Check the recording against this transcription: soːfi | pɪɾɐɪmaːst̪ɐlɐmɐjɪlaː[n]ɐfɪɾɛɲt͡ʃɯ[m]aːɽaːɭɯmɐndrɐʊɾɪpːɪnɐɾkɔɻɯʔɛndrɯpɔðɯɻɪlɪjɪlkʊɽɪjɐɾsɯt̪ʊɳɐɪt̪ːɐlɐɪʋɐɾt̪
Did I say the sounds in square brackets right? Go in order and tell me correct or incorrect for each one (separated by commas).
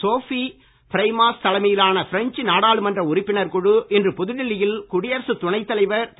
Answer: correct, incorrect